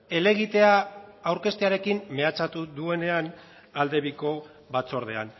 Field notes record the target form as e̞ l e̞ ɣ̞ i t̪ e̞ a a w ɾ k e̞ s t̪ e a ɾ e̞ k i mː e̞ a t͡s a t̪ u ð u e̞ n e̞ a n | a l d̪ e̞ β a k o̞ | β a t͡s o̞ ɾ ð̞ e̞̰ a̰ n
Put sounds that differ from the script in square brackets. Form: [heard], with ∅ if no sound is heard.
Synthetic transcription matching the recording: e̞ l e̞ ɣ̞ i t̪ e̞ a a w ɾ k e̞ s t̪ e a ɾ e̞ k i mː e̞ a t͡s a t̪ u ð u e̞ n e̞ a n | a l d̪ e̞ β [i] k o̞ | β a t͡s o̞ ɾ ð̞ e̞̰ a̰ n